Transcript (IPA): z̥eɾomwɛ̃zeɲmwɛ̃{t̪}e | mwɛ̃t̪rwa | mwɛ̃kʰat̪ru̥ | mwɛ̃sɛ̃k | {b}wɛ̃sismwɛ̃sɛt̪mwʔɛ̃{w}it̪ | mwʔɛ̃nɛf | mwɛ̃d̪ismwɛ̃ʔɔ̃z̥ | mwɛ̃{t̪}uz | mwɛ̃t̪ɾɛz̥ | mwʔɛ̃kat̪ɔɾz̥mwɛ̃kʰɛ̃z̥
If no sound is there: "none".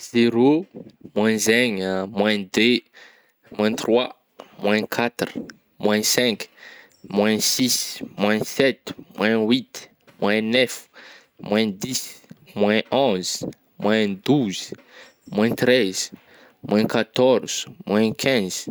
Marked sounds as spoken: d̪, m, w, d̪

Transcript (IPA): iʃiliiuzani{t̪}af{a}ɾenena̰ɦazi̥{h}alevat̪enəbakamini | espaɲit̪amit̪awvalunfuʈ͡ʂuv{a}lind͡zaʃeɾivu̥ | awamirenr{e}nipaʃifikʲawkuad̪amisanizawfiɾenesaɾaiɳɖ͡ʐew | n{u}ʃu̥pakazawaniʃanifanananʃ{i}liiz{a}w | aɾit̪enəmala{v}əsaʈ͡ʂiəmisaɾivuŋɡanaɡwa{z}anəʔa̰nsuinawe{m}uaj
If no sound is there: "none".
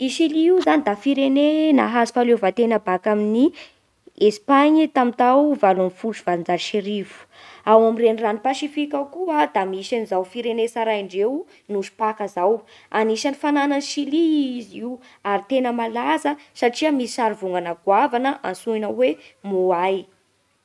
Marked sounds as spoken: d̪, i, f, a, a, u, i, i, z, v, m

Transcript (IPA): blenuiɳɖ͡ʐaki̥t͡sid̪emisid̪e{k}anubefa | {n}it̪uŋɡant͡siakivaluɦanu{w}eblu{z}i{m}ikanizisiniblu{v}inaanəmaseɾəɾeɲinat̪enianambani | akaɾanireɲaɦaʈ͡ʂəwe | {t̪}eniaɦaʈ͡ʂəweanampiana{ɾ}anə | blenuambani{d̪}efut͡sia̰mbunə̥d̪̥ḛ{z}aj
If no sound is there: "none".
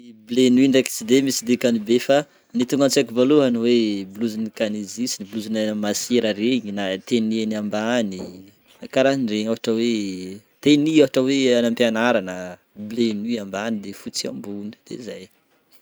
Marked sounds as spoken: k, n, w, z, n, z, t̪, ɾ, d̪, z

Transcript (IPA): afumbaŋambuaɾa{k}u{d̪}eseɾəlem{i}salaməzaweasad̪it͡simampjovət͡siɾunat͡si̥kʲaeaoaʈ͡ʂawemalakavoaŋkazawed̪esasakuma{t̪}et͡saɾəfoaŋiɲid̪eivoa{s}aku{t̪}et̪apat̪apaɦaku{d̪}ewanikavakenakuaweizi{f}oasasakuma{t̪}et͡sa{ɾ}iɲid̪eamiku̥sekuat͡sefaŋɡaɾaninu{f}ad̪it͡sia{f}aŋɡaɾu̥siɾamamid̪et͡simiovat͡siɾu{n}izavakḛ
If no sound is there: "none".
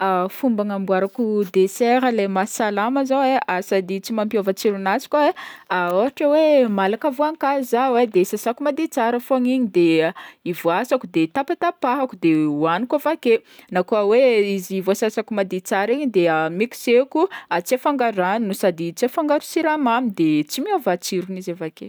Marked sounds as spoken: k, d̪, a, d̪, s, d̪, d̪, v, d̪, ɾ, s, f, n

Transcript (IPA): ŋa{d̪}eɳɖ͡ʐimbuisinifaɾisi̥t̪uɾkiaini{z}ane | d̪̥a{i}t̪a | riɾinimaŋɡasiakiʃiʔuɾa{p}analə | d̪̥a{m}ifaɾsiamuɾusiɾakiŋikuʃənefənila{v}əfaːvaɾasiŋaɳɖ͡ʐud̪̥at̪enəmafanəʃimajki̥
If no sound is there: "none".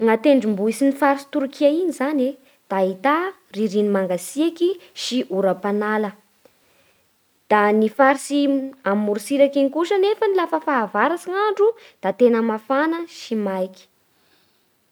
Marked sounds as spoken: t̪, z, i, p, n, f

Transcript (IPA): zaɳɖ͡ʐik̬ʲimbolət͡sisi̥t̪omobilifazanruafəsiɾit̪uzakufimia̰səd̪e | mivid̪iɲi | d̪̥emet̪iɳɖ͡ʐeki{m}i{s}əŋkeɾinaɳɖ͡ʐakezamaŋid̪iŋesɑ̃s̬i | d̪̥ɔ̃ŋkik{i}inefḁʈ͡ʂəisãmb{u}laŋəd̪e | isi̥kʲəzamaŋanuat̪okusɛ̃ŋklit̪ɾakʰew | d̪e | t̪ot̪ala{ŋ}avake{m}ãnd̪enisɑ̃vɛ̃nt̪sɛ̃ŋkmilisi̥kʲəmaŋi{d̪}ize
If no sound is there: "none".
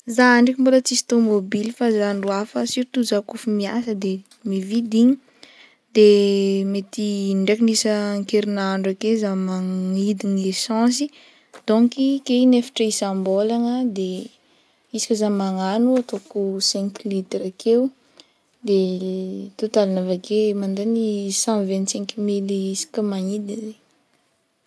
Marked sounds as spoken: n, s, e, o, n, m, d̪

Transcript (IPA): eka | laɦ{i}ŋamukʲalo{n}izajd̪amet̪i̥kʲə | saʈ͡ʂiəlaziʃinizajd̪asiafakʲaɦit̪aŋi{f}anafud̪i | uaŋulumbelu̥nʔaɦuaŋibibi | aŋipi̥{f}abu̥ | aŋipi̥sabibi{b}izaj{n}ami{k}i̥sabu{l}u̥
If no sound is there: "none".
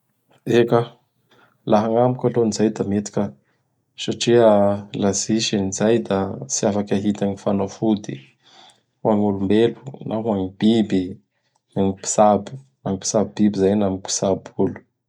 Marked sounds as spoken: a, n, f, s, b, n, p, l

